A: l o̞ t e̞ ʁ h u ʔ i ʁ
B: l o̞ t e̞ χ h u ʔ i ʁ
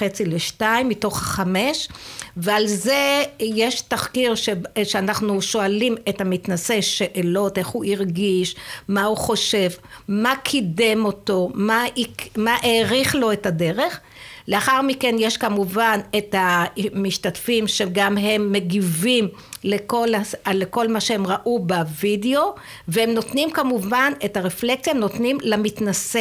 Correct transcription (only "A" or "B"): B